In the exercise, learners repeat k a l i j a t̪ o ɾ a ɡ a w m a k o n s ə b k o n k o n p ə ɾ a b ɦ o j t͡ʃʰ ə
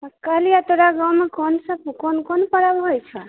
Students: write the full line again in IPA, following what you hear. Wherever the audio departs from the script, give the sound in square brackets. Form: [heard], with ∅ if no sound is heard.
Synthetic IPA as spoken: k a l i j a t̪ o ɾ a ɡ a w m [e] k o n s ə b k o n k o n p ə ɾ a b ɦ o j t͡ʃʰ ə